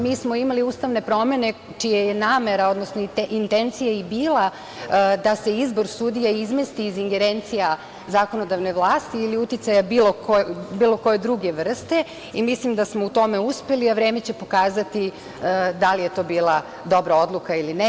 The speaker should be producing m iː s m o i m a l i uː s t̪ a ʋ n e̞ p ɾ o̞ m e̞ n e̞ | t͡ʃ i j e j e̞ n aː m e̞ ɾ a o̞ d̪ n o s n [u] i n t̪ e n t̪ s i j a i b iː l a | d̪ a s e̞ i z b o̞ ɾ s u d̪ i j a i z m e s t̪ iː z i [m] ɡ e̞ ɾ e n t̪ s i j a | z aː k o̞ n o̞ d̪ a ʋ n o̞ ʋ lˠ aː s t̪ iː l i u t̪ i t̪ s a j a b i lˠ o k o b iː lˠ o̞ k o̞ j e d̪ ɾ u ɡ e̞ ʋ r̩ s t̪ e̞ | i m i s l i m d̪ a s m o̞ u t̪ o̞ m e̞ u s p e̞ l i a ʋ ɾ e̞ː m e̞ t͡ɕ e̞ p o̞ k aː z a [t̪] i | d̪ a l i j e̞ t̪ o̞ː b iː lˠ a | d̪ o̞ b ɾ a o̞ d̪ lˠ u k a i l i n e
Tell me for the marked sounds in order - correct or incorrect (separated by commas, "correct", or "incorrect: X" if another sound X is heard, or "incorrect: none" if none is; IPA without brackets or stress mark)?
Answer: incorrect: o, incorrect: ŋ, correct